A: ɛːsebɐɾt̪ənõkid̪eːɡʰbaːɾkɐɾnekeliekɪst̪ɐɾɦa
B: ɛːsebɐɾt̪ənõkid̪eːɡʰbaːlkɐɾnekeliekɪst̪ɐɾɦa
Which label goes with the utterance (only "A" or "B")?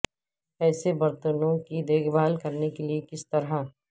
B